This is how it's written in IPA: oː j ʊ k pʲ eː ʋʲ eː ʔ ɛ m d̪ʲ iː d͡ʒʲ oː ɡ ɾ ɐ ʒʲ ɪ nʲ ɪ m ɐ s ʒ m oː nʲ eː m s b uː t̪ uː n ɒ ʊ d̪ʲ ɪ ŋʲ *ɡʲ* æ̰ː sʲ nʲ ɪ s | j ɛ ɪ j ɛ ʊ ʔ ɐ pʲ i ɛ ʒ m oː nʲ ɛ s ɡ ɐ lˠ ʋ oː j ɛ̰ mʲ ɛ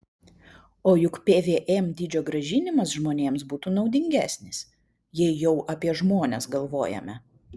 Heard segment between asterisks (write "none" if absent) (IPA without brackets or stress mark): ɡʲ